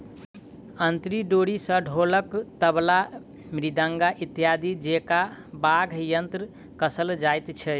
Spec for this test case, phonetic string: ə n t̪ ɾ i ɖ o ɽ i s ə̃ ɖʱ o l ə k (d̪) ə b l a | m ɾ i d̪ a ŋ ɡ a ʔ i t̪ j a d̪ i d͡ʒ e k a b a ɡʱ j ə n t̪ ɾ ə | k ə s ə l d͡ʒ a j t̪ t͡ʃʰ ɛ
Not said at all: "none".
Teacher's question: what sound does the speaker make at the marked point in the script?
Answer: t̪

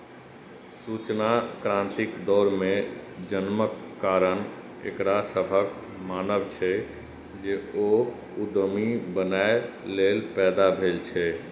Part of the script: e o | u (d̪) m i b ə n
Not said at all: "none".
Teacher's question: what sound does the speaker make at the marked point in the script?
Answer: d̪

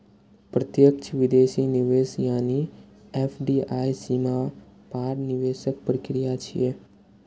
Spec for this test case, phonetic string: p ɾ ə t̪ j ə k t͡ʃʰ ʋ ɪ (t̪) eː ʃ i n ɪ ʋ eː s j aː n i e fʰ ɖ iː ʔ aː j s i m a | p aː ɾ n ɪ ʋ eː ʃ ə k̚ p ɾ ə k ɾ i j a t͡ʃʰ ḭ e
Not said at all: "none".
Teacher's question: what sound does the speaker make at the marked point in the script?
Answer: d̪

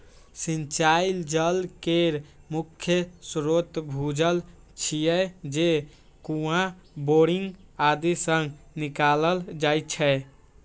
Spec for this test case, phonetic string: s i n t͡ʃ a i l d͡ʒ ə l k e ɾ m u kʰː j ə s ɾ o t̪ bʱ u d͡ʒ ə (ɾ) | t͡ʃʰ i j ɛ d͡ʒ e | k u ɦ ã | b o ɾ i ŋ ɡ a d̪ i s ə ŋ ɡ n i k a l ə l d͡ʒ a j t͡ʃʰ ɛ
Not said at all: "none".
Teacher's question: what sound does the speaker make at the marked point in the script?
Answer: l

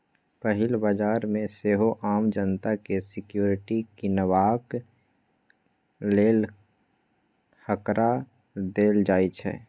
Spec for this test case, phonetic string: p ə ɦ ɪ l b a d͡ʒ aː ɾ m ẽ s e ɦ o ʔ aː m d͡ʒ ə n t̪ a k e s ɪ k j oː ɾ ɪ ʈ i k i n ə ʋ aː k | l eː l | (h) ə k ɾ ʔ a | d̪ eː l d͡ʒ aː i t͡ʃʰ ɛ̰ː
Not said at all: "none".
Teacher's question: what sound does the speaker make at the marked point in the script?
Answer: h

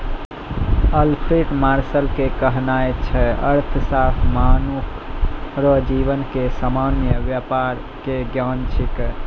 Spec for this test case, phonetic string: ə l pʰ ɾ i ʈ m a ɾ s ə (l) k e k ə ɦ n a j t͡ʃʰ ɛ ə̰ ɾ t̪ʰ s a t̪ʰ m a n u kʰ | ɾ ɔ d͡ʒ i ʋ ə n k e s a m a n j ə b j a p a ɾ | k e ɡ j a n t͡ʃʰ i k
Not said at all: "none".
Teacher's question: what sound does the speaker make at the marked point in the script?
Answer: l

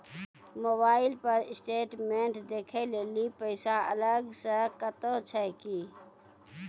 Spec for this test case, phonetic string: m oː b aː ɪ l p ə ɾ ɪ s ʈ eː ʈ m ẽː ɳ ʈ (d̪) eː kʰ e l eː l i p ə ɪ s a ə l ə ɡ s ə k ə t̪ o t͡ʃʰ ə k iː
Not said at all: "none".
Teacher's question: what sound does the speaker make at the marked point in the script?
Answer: d̪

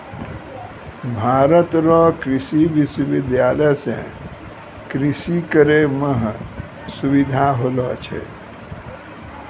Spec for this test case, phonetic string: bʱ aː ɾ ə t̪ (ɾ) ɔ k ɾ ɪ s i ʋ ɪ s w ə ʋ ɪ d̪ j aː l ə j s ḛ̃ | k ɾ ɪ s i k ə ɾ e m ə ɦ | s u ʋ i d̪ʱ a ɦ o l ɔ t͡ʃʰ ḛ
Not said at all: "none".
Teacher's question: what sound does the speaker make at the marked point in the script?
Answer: ɾ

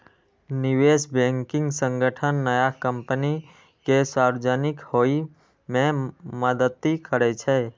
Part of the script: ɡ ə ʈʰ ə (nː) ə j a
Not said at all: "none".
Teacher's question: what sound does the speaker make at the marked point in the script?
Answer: nː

